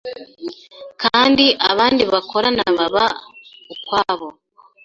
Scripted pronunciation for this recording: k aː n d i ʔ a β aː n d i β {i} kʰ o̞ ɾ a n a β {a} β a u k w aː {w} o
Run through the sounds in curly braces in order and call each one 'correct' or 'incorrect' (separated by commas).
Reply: incorrect, correct, incorrect